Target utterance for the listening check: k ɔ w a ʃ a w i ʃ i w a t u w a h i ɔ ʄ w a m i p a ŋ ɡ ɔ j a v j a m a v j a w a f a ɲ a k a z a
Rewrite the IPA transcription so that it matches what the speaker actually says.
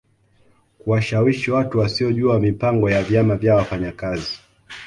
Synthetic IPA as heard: k u w a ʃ a w i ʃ i w a t u w a s i ɔ ʄ u a m i p a ŋ ɡ ɔ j a v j a m a v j a w a f a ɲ a k a z i